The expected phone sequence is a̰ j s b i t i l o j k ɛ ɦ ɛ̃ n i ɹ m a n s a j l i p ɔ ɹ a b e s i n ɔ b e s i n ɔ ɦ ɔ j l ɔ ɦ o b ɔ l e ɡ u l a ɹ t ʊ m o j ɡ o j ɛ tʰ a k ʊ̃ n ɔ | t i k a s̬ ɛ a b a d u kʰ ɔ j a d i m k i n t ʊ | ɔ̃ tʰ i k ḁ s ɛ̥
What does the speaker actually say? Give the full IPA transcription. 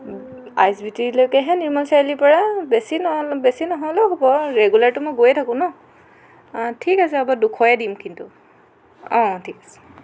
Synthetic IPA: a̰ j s b i t i l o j k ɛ ɦ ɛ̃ n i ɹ m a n s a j l i p ɔ ɹ a b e s i n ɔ b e s i n ɔ ɦ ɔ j l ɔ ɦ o b ɔ ɹ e ɡ u l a ɹ t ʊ m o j ɡ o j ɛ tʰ a k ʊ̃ n ɔ | tʰ i k a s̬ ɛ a b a d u kʰ ɔ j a d i m k i n t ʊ | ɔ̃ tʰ i k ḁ s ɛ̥